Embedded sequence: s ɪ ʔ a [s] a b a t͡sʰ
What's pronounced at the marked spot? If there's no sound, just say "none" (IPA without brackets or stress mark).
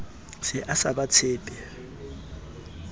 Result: s